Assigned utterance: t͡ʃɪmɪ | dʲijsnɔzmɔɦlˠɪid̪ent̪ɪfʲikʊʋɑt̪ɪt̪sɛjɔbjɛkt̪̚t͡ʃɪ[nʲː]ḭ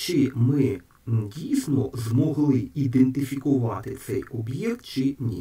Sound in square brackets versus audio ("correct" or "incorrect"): incorrect